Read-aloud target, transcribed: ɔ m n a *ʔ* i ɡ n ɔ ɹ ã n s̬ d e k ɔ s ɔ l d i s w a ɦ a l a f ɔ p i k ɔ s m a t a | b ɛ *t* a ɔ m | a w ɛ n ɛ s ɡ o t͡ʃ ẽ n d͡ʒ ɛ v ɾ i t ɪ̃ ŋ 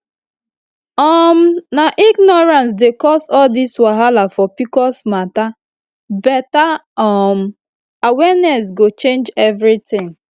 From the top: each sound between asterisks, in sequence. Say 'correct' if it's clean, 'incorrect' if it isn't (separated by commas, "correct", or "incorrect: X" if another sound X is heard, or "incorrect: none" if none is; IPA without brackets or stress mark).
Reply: correct, correct